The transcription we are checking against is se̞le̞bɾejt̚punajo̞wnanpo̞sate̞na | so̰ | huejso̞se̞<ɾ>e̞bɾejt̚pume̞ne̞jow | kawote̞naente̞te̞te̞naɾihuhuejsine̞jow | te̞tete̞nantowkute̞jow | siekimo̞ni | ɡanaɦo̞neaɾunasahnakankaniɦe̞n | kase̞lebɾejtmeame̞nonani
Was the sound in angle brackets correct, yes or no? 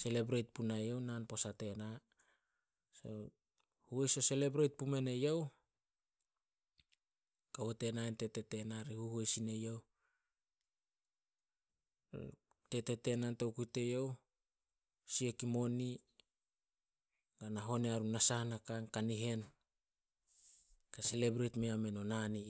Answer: no